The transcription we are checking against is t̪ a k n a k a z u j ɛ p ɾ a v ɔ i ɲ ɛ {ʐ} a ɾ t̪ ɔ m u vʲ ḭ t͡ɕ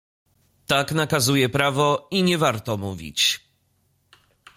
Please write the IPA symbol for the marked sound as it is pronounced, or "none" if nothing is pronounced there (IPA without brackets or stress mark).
v